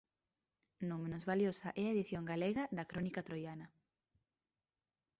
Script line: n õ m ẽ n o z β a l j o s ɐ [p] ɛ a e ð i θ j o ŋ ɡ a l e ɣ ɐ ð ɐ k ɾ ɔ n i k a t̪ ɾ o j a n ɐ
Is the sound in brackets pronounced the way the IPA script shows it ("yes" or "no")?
no